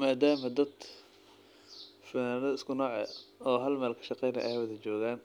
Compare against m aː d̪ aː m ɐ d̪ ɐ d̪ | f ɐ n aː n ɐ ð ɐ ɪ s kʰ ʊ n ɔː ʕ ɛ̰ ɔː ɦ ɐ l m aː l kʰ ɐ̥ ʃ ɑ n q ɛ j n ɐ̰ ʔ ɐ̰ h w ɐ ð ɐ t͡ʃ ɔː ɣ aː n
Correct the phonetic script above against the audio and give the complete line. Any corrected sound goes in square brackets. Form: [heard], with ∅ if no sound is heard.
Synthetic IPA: m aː d̪ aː m ɐ d̪ ɐ d̪ | f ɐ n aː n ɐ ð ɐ ɪ s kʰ ʊ n ɔː ʕ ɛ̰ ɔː ɦ ɐ l m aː l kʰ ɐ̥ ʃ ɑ [∅] q ɛ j n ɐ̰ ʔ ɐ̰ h w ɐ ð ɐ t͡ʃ ɔː ɣ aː n